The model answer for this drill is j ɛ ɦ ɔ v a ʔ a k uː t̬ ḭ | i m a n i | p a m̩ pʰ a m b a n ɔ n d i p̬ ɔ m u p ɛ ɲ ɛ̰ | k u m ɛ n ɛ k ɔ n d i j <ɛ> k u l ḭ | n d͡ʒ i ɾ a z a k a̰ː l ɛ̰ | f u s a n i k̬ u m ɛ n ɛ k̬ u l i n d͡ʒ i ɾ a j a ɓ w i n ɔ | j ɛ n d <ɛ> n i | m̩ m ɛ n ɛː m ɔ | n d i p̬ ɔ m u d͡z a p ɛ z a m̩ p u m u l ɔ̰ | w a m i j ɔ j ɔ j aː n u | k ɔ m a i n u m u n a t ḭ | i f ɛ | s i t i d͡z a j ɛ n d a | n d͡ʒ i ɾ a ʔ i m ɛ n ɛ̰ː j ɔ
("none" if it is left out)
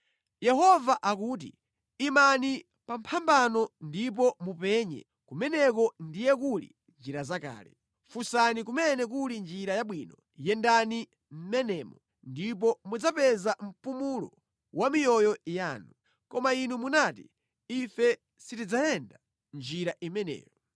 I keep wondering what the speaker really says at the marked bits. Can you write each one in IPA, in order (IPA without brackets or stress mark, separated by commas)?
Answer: ɛ, a